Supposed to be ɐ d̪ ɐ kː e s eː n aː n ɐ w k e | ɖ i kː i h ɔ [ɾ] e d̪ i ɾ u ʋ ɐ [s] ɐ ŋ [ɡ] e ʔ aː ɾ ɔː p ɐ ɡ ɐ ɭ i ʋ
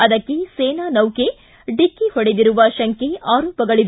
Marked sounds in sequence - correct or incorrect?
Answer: incorrect: ɽ, incorrect: ʃ, incorrect: k

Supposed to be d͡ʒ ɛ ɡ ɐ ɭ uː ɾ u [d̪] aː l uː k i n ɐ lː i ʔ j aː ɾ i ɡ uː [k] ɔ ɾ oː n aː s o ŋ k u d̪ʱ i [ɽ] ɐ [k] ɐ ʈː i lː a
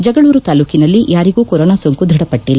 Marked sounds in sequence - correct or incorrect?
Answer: incorrect: t̪, correct, correct, incorrect: p

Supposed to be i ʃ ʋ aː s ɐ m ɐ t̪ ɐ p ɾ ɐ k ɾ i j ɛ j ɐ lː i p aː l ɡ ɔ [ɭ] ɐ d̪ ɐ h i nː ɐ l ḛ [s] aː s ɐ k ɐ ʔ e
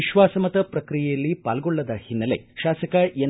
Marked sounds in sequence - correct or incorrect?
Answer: incorrect: ɭː, incorrect: ʃ

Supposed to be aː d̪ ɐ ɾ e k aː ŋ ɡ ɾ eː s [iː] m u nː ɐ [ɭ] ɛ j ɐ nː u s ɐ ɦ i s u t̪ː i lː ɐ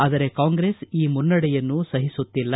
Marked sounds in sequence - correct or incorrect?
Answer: correct, incorrect: ɽ

